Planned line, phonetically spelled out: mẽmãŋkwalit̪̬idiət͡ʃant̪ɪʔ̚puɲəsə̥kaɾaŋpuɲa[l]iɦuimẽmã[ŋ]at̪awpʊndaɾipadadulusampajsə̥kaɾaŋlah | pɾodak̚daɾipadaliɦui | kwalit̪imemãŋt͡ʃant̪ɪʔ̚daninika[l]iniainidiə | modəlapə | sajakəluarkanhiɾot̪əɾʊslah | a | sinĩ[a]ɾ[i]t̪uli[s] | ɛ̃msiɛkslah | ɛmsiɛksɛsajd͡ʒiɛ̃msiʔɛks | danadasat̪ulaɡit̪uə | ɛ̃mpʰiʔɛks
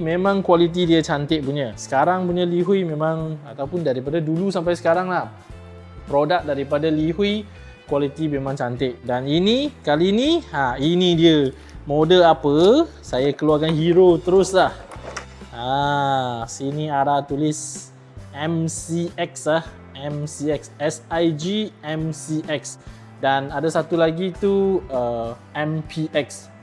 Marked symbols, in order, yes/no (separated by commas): yes, yes, yes, yes, no, yes